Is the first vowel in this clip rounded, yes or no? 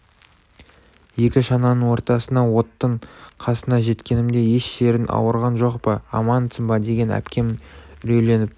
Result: no